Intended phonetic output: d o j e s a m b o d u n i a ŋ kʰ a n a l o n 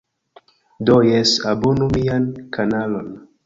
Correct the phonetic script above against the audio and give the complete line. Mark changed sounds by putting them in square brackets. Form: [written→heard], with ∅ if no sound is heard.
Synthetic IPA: d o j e s a [m→∅] b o [d→n] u [n→m] i a [ŋ→n] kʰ a n a l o n